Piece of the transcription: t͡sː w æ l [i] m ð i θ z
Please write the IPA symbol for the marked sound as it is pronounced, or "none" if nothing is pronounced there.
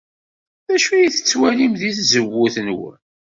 i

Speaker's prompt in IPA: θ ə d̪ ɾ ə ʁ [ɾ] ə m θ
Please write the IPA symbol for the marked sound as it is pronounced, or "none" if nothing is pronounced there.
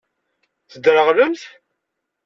l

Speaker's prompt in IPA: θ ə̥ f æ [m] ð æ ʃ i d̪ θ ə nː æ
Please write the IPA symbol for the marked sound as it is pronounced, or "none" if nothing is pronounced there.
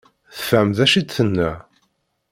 m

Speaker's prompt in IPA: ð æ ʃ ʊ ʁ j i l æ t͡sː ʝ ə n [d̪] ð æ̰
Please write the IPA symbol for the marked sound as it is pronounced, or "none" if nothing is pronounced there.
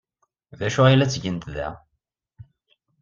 t̪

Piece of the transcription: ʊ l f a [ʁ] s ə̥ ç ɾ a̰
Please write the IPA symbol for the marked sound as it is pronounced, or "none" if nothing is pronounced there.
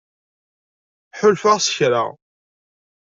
ʁ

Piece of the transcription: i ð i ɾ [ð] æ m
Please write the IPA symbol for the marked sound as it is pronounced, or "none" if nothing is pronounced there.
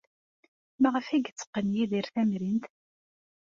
θ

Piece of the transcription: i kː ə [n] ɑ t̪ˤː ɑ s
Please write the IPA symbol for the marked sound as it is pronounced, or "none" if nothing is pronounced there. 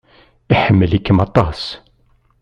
m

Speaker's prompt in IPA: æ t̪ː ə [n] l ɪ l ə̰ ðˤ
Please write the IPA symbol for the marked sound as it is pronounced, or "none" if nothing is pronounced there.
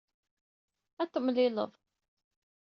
m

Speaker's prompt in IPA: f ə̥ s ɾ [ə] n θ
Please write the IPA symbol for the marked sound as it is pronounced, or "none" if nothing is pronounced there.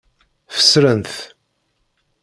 ə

